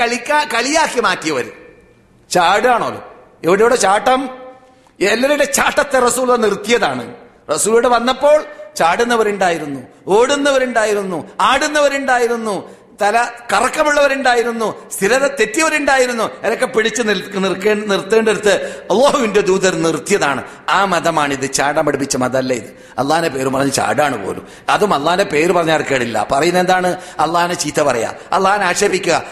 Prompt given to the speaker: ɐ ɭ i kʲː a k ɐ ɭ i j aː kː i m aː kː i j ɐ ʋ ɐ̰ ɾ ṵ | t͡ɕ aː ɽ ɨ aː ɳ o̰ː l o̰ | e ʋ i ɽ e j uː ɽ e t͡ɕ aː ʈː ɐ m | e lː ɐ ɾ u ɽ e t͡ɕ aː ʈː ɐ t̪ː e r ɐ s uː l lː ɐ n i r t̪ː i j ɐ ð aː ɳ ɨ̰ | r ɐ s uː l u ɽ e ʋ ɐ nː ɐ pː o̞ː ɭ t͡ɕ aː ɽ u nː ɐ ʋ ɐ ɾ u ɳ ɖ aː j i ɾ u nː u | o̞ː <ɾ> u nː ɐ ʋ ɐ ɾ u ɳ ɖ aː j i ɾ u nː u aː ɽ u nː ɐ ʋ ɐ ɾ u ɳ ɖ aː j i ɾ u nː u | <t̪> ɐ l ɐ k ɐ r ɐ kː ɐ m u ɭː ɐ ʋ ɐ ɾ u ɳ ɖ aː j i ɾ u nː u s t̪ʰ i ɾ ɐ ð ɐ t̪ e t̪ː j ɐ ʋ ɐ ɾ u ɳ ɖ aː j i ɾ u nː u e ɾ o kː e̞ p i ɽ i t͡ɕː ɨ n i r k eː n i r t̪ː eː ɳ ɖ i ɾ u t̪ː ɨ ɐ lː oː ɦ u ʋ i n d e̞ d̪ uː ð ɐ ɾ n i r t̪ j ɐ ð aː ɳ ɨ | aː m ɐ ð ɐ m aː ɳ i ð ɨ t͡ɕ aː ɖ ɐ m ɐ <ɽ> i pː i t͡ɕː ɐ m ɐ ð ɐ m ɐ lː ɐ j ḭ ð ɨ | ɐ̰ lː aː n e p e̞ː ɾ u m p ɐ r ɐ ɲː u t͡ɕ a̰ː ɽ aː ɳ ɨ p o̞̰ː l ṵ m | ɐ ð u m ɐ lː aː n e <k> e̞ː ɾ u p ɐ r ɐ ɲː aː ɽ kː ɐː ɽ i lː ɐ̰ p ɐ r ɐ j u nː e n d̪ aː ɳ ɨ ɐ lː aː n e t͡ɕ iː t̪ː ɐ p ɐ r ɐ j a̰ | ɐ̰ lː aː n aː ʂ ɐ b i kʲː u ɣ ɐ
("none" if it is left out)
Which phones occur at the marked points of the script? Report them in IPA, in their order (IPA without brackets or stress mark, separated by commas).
ɽ, t̪, ɽ, p